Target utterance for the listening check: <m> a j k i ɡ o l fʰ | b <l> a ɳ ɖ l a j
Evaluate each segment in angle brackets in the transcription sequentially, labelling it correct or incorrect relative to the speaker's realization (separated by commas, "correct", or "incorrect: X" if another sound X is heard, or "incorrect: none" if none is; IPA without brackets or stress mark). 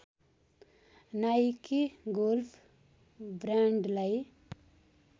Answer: incorrect: n, incorrect: ɾ